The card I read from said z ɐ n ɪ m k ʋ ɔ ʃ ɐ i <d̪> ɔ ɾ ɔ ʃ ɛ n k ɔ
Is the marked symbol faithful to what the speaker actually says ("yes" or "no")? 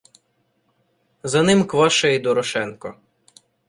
yes